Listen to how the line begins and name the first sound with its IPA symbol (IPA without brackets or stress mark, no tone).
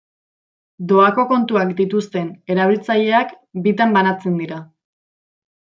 d̪